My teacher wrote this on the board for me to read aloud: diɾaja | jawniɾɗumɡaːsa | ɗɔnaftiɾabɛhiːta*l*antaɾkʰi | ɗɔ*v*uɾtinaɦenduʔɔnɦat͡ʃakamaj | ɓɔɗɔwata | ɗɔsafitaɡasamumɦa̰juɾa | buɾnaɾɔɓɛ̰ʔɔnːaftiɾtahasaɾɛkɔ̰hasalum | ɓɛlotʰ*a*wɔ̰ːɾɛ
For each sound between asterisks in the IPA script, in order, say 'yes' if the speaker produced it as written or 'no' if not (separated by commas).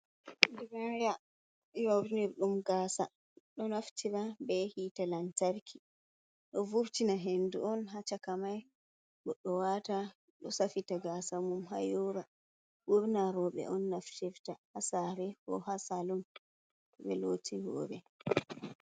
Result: yes, yes, no